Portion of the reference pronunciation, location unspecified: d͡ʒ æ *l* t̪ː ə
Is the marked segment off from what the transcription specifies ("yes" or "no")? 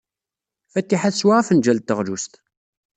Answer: no